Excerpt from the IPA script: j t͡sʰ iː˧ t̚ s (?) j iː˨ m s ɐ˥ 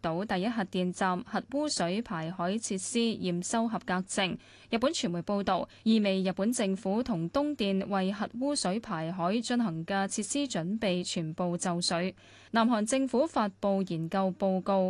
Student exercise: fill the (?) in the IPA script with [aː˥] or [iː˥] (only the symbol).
iː˥